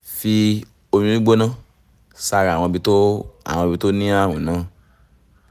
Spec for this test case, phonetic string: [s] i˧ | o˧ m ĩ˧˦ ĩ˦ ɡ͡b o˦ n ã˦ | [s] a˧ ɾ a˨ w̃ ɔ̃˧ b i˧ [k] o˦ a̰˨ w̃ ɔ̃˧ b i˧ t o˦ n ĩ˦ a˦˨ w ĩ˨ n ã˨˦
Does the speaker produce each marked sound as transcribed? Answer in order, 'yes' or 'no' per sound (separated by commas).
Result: no, yes, no